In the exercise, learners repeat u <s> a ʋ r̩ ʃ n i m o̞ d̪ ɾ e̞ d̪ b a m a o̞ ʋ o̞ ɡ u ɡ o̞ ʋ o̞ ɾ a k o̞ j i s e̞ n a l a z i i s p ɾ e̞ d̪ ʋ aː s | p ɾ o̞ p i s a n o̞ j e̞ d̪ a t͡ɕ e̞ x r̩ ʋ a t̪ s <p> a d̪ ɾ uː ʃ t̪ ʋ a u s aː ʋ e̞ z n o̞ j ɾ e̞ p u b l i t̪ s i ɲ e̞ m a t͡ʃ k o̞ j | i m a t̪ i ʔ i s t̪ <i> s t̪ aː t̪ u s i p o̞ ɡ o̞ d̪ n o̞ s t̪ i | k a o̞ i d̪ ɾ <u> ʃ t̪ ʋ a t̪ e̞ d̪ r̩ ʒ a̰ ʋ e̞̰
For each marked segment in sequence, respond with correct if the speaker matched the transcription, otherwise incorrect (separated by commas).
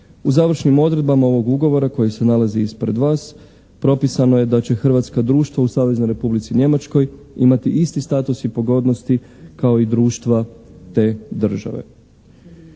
incorrect, incorrect, correct, incorrect